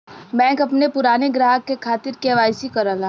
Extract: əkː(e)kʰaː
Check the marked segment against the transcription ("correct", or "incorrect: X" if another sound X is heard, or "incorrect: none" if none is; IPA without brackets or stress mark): correct